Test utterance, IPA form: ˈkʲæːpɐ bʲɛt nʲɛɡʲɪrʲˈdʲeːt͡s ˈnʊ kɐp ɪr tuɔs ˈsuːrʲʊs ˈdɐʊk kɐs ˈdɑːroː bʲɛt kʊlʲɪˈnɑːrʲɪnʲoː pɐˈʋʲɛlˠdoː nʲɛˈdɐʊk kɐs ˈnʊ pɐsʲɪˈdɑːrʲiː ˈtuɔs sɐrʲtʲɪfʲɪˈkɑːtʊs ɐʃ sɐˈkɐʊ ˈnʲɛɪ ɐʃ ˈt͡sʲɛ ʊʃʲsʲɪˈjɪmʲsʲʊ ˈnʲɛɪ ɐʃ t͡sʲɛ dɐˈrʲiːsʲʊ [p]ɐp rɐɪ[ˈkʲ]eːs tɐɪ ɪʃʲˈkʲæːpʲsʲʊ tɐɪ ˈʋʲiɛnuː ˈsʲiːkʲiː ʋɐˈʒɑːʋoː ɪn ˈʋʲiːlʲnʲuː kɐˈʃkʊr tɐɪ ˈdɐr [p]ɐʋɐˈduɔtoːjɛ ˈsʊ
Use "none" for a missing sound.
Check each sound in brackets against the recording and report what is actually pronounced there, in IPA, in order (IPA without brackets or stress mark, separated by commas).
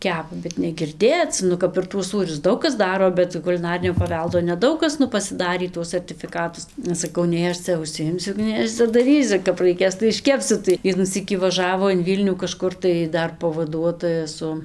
k, kʲ, p